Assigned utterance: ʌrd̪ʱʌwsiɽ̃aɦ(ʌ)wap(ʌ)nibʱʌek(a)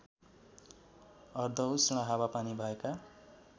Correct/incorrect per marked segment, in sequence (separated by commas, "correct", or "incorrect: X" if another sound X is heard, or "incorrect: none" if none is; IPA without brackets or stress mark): incorrect: a, incorrect: a, correct